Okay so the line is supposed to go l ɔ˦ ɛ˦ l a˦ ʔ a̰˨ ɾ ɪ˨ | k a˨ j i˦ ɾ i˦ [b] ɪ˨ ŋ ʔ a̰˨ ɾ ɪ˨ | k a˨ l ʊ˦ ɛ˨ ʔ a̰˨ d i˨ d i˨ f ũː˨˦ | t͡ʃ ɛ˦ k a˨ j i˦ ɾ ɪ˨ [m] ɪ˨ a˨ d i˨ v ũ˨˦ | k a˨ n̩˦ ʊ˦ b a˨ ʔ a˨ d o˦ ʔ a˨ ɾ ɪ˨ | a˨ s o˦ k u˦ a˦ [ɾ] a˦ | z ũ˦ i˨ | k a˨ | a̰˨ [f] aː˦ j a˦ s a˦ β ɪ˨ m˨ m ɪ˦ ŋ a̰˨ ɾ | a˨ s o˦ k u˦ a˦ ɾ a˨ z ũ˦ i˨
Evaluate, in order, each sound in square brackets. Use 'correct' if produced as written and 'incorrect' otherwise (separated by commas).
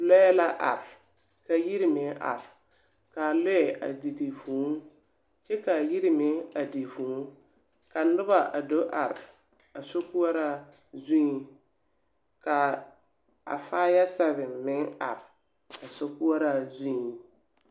incorrect, correct, correct, correct